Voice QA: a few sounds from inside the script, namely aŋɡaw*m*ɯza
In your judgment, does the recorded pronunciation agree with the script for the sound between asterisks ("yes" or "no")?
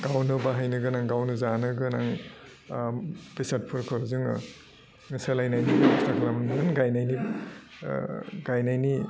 no